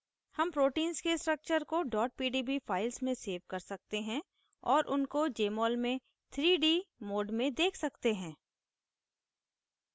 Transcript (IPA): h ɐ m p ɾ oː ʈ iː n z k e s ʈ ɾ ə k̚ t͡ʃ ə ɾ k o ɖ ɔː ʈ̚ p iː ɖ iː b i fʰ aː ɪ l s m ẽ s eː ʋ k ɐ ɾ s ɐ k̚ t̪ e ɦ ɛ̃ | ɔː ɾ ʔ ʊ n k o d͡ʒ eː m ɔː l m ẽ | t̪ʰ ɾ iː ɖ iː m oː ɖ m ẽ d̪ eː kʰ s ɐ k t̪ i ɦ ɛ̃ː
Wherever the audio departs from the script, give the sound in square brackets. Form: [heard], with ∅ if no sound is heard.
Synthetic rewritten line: h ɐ m p ɾ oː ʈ iː n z k e s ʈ ɾ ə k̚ t͡ʃ ə ɾ k o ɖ ɔː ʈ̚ p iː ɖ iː b i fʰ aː ɪ l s m ẽ s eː ʋ k ɐ ɾ s ɐ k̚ t̪ e ɦ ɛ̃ | ɔː ɾ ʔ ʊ n k o d͡ʒ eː m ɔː l m ẽ | t̪ʰ ɾ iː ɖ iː m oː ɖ m ẽ d̪ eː kʰ s ɐ k t̪ [e] ɦ ɛ̃ː